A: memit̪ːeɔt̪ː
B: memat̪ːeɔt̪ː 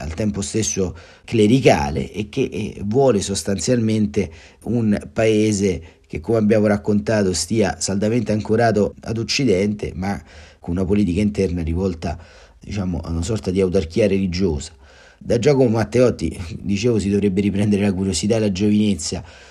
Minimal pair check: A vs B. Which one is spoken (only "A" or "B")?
B